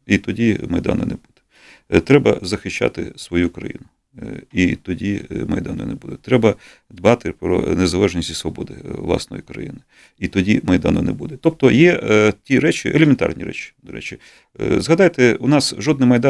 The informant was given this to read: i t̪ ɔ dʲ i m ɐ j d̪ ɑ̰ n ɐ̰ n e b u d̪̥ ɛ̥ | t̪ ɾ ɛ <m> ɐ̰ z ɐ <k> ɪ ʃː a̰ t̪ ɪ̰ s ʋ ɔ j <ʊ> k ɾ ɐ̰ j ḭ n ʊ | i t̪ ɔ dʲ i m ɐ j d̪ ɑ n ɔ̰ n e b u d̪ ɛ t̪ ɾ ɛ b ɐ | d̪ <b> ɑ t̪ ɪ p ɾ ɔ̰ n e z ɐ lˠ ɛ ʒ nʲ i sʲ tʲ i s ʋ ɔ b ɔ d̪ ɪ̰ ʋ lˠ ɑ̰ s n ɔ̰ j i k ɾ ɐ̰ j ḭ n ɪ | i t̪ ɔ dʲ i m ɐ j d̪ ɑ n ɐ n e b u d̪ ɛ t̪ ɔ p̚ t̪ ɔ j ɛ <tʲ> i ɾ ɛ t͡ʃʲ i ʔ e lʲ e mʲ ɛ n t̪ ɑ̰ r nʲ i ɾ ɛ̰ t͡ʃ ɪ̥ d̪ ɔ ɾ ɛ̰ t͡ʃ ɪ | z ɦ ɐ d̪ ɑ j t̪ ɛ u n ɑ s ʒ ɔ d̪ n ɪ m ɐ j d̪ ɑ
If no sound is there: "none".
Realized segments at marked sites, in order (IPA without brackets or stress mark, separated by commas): b, x, u, b, tʲ